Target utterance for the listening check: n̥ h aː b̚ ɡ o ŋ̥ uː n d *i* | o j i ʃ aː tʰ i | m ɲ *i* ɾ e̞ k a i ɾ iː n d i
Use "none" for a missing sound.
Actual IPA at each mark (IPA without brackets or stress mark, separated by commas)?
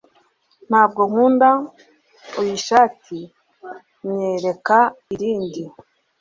a, e